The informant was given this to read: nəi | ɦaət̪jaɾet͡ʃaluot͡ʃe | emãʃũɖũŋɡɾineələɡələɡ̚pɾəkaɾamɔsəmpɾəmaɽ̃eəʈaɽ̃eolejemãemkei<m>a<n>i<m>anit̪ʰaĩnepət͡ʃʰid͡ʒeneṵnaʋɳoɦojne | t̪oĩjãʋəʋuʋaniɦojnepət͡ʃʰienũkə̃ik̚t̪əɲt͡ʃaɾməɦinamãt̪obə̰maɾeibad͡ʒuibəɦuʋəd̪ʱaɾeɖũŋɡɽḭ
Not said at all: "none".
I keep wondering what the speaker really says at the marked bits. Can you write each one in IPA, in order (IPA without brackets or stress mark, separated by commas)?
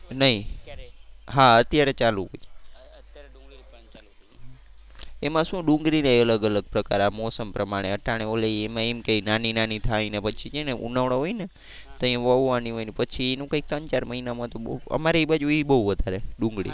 n, n, n